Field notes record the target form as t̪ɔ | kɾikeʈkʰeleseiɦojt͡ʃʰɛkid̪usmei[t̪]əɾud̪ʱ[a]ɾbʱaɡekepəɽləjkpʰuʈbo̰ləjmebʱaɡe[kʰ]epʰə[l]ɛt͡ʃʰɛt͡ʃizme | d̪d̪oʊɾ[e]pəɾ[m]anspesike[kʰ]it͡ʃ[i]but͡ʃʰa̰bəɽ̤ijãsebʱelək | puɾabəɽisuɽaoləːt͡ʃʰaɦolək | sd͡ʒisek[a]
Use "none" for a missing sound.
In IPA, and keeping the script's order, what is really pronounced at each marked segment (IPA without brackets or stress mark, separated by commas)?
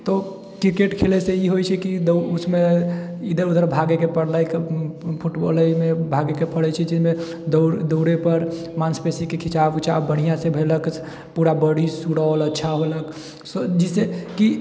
d̪, ə, k, ɽ, e, m, kʰ, a, i